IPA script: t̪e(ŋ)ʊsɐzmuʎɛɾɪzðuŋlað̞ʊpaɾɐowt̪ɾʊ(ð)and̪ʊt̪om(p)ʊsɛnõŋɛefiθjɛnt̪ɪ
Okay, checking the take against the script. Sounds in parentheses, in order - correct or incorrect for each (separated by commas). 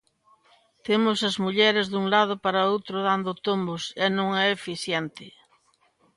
incorrect, correct, incorrect